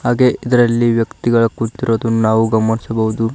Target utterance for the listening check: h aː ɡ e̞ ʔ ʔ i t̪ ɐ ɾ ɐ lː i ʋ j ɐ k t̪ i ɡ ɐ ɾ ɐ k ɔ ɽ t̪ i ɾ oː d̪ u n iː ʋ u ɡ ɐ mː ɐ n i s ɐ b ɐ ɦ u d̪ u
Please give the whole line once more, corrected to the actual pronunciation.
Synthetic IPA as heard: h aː ɡ e̞ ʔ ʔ i d̪ ɐ ɾ ɐ lː i ʋ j ɐ k t̪ i ɡ ɐ ɭ ɐ k u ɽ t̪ i ɾ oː d̪ u n aː ʋ u ɡ ɐ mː ɐ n i s ɐ b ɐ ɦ u d̪ u